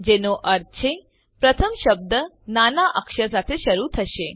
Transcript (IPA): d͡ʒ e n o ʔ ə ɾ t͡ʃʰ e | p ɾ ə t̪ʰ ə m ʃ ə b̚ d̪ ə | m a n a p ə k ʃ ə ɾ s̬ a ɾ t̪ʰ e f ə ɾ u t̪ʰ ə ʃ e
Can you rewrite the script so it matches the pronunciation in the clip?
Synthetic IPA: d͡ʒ e n o ʔ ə ɾ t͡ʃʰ e | p ɾ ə t̪ʰ ə m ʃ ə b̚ d̪ ə | n a n a ʔ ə k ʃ ə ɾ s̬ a t̪ʰ e ʃ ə ɾ u t̪ʰ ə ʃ e